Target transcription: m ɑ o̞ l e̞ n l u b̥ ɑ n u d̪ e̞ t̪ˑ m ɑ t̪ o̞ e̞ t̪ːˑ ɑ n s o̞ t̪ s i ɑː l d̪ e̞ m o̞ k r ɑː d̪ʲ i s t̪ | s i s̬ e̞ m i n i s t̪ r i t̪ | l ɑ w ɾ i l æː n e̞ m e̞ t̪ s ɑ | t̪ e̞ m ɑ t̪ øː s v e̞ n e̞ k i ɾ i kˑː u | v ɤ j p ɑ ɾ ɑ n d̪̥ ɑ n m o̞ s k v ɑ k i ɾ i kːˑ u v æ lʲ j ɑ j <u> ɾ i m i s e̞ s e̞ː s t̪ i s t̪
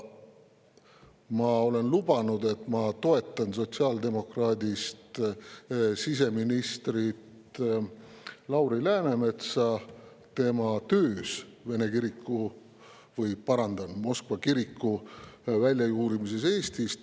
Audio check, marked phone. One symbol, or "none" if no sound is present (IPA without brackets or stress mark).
uː